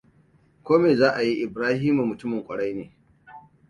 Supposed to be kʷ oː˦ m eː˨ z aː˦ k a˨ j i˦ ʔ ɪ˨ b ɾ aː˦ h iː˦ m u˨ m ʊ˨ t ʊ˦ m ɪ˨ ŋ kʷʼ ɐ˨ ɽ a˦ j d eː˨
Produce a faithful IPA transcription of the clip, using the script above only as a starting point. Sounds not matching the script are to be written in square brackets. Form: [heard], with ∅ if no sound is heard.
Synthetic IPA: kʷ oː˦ m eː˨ z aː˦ [ʔ] a˨ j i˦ ʔ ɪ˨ b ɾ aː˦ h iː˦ m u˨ m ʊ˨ t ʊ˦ m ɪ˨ ŋ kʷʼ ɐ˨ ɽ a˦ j [n] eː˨